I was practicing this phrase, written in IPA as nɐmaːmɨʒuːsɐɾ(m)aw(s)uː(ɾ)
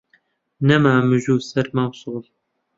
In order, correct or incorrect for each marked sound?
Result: correct, correct, incorrect: l

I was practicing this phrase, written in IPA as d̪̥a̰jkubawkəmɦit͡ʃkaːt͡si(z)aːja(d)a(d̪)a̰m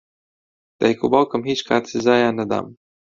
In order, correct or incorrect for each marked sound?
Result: correct, incorrect: n, correct

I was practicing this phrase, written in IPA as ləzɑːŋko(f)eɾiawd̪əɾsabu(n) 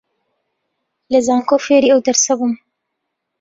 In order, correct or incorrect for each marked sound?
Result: correct, incorrect: m

